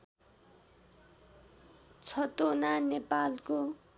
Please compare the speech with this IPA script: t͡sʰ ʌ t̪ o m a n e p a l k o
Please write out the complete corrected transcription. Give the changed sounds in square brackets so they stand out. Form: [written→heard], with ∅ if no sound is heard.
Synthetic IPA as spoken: t͡sʰ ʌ t̪ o [m→n] a n e p a l k o